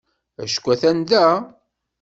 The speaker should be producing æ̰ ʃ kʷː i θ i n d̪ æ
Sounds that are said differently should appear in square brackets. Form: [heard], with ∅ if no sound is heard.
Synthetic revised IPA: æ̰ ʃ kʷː [æ] θ [æ] n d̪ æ